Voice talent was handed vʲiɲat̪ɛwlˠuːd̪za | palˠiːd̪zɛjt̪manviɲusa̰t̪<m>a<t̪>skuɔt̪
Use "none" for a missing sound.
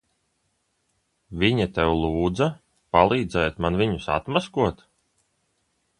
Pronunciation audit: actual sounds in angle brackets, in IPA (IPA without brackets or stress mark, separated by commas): m, none